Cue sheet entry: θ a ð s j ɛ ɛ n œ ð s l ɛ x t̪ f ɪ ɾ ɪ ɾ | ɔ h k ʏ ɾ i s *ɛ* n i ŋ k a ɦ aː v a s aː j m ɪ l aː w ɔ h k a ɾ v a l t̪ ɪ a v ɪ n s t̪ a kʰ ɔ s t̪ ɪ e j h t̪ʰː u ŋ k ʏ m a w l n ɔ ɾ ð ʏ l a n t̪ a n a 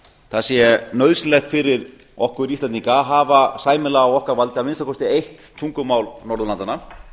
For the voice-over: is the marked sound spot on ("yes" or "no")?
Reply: no